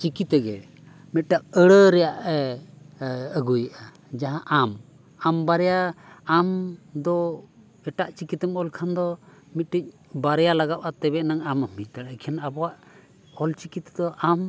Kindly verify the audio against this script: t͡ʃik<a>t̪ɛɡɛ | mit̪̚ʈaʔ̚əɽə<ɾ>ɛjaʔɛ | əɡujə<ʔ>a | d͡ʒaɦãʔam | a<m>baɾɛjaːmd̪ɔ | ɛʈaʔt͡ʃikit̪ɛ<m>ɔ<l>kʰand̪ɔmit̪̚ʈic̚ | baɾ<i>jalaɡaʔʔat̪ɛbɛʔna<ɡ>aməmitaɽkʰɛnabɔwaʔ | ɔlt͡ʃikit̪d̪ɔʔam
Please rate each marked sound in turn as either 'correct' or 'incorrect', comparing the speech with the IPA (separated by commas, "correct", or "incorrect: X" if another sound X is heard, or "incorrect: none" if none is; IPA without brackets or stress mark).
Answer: incorrect: i, correct, correct, correct, correct, correct, incorrect: ɛ, incorrect: ŋ